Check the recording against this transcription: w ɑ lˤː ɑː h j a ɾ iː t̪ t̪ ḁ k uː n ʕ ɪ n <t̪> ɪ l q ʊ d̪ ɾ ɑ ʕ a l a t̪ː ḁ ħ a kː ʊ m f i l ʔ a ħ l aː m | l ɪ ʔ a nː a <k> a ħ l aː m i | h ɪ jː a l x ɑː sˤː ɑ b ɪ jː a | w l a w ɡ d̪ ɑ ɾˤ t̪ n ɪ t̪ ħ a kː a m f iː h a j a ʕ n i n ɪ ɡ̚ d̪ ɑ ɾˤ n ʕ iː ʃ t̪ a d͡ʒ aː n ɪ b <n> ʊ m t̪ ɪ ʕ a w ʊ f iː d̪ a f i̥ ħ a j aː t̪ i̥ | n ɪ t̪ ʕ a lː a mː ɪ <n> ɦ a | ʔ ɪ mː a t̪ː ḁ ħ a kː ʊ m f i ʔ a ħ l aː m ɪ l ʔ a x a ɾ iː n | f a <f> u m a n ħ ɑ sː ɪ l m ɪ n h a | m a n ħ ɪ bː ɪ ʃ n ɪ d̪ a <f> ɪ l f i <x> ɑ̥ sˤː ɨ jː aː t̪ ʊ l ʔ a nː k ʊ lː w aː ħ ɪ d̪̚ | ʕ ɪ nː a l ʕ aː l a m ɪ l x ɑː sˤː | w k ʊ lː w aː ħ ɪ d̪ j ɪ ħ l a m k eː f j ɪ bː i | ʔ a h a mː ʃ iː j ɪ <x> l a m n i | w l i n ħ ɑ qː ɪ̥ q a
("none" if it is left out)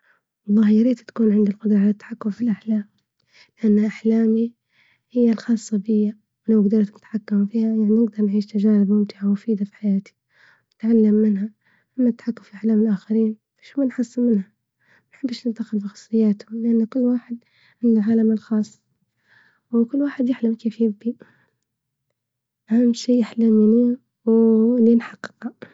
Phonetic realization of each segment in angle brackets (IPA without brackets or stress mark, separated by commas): d̪, ʔ, m, n, ʃ, x, x, ħ